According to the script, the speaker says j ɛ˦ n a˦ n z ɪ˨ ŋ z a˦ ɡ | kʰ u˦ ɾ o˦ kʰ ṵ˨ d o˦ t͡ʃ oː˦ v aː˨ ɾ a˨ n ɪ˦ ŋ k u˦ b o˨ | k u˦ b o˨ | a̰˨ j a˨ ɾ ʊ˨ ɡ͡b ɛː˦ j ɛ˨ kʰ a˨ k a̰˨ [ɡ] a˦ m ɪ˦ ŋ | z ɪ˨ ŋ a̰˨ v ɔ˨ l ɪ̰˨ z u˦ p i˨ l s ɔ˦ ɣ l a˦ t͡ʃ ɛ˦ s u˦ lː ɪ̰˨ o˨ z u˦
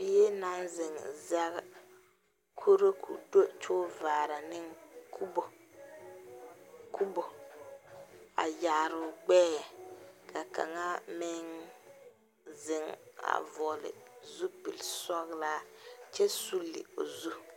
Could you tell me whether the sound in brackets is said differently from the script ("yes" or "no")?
yes